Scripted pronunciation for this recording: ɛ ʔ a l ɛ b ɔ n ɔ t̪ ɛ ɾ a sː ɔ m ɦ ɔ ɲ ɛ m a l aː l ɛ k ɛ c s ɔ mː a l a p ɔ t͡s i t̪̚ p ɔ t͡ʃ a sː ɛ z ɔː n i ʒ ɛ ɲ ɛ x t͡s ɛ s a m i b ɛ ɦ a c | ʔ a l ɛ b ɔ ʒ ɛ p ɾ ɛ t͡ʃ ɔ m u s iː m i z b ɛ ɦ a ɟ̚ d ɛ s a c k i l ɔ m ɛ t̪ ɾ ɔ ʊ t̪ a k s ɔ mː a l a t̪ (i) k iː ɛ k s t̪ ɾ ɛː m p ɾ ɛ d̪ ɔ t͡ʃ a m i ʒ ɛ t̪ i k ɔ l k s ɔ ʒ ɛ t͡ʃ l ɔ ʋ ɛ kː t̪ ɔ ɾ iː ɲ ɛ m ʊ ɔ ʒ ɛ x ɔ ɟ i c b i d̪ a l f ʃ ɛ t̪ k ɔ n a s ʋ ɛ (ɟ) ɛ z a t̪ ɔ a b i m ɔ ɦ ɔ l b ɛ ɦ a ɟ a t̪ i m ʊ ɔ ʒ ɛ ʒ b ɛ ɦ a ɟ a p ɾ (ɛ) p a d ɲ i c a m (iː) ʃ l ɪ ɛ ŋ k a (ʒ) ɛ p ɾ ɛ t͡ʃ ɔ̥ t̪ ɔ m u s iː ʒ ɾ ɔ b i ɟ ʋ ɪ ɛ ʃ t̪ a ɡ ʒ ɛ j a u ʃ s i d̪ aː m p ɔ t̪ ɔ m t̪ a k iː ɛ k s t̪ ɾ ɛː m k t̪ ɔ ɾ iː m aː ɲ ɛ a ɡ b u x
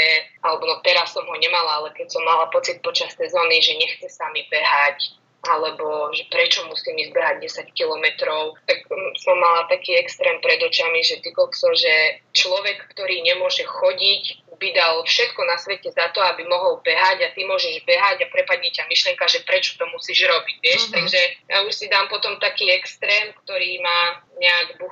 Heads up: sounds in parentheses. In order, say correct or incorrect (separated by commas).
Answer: incorrect, incorrect, correct, incorrect, correct